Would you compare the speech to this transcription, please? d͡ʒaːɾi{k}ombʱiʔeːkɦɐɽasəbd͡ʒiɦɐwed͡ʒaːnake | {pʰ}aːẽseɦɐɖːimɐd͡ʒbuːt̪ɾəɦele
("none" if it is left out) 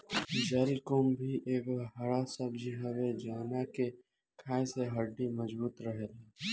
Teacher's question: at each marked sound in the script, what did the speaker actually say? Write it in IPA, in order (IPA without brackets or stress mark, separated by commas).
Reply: k, kʰ